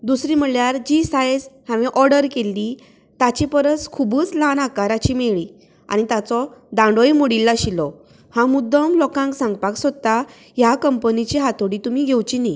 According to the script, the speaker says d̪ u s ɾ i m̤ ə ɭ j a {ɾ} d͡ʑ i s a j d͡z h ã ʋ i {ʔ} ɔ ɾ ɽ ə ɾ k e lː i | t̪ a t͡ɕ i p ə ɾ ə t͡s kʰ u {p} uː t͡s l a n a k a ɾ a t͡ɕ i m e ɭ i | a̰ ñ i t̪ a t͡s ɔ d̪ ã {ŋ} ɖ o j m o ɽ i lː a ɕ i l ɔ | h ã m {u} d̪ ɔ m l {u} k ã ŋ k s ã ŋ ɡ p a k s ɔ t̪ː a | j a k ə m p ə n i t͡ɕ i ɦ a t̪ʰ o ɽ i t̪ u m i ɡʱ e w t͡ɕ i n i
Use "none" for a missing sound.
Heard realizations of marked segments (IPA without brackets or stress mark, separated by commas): ɾ, ʔ, b, ɳ, u, ɔ